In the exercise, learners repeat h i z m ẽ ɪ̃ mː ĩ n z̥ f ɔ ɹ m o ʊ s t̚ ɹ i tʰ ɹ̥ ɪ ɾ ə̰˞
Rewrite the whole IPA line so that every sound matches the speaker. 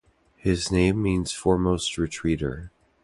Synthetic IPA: h ɪ z n ẽ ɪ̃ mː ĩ n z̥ f ɔ ɹ m o ʊ s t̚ ɹ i tʰ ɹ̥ i ɾ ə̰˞